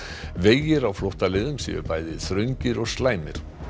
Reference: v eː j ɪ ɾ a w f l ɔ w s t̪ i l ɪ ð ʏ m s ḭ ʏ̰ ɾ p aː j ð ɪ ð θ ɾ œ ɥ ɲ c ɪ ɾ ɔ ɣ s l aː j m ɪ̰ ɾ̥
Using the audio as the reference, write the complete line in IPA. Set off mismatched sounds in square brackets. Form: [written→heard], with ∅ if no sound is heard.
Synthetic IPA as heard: v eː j ɪ ɾ a w f l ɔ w [s→h] t̪ [i→a] l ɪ ð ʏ m s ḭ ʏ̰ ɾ p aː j ð ɪ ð θ ɾ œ ɥ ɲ c ɪ ɾ ɔ ɣ s l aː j m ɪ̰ ɾ̥